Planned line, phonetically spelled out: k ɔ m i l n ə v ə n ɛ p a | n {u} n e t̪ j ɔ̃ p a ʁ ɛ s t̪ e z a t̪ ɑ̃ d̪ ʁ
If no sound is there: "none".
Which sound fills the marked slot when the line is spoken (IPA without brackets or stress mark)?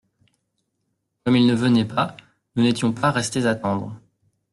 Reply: u